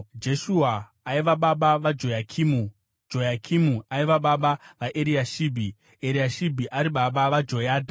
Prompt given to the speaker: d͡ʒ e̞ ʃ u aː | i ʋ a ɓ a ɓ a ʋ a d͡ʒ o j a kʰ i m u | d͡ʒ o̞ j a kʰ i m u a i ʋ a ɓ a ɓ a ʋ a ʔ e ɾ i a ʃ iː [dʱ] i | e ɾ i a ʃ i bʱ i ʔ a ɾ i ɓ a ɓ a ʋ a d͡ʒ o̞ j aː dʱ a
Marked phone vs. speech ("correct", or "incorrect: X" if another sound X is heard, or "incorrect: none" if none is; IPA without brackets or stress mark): incorrect: bʱ